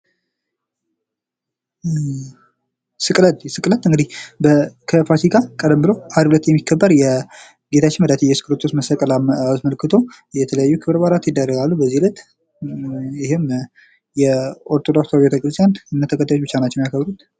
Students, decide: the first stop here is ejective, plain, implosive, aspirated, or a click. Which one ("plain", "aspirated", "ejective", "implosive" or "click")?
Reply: ejective